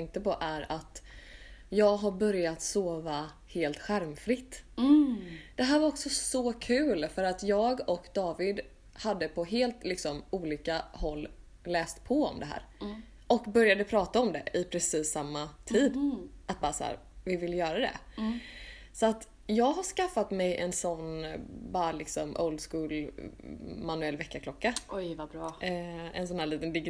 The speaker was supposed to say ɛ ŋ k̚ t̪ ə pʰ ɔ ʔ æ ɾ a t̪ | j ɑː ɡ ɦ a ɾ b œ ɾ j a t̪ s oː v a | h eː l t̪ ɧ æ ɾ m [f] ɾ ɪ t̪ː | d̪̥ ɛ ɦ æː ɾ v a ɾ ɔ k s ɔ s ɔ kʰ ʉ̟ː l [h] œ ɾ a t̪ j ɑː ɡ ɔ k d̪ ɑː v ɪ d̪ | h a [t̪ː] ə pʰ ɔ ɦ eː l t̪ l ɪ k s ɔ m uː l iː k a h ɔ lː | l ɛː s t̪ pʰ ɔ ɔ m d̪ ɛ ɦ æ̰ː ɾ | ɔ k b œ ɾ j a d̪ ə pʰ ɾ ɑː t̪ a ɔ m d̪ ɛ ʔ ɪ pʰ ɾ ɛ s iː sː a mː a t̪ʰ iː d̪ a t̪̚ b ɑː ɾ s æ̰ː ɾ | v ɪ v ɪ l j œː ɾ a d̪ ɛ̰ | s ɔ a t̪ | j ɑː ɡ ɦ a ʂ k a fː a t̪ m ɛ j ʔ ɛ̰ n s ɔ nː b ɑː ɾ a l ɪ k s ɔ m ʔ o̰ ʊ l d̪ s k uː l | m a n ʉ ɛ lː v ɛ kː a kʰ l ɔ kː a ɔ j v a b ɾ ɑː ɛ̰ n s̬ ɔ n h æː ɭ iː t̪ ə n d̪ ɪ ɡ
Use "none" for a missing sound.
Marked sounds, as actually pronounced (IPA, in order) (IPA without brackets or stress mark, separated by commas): f, f, d̪ː